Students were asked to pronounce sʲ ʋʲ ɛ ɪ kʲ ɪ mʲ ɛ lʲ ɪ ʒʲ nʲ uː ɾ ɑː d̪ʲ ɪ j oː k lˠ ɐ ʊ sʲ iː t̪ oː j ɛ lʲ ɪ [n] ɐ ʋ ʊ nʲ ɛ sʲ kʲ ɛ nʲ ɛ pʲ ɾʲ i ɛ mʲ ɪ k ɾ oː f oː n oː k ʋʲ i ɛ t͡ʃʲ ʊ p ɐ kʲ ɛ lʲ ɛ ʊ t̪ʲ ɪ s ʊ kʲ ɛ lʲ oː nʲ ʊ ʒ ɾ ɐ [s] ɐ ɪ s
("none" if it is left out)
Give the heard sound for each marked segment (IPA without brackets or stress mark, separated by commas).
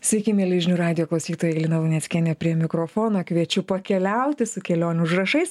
n, ʃ